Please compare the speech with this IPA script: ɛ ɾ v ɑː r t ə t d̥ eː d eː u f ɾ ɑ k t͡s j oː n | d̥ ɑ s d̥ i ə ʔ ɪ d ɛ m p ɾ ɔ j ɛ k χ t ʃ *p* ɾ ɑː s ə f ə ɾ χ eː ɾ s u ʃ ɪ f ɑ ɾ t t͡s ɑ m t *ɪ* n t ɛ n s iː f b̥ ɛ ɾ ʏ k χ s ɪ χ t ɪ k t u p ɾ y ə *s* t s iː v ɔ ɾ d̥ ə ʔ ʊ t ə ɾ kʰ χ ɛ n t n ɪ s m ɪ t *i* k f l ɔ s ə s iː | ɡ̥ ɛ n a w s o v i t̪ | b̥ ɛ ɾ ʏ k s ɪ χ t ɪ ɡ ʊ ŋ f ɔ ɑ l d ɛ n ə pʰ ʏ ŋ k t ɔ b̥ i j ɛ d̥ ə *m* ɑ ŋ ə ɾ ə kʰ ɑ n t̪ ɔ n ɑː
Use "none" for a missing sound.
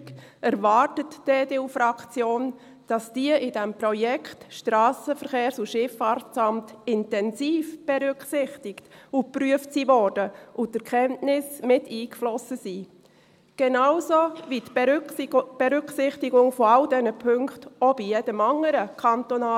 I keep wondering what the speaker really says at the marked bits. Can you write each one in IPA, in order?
t, ɪ, f, iː, m

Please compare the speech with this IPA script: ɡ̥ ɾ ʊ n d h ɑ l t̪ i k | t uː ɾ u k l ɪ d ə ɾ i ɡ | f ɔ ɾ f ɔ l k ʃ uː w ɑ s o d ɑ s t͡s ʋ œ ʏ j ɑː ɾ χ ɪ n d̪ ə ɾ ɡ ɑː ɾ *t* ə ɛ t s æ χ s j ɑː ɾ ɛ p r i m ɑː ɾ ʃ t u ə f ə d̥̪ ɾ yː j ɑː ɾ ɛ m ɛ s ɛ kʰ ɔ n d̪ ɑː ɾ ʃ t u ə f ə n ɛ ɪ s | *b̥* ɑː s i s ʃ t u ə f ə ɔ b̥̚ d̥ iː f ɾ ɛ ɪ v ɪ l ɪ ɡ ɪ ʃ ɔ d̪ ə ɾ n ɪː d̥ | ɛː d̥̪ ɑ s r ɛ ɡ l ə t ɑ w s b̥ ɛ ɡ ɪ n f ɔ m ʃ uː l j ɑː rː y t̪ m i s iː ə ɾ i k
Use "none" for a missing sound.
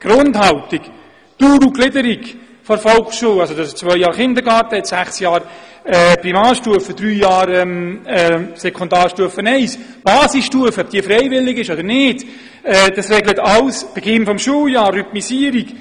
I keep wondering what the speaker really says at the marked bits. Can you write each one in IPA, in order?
t, b̥

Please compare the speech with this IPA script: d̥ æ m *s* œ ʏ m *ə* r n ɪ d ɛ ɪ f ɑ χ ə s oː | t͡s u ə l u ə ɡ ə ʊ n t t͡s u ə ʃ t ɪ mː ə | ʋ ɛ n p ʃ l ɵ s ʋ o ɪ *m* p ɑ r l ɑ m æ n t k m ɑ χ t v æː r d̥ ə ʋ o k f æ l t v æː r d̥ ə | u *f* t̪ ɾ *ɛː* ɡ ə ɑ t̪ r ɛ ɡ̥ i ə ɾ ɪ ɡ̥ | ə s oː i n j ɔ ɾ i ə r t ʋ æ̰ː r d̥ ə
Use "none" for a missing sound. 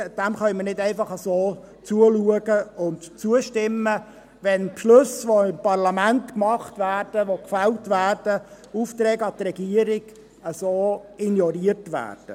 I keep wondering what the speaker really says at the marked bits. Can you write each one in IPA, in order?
χ, ə, m, f, ɛː

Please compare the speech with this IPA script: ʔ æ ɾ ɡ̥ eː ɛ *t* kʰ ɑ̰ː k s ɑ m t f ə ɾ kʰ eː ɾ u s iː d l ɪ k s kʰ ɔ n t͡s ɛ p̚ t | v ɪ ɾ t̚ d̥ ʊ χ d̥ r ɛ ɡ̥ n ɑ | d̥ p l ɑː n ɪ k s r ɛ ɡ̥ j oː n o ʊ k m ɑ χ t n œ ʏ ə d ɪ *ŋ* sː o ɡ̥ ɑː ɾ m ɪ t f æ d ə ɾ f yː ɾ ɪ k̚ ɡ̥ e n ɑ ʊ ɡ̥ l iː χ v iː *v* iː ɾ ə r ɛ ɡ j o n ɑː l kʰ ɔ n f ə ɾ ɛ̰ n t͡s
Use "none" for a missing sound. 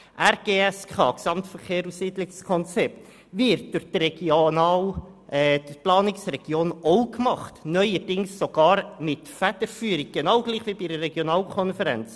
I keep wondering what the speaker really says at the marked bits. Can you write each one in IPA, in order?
s, ŋ, b

